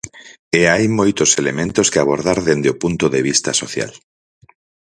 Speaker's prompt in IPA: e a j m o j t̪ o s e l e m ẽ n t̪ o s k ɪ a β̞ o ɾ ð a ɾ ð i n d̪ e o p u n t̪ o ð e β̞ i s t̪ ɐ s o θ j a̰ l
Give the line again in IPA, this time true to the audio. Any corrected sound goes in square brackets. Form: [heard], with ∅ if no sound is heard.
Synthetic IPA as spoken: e a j m o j t̪ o s e l e m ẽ n t̪ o s k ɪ a β̞ o ɾ ð a ɾ ð [e] n d̪ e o p u n t̪ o ð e β̞ i s t̪ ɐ s o θ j a̰ l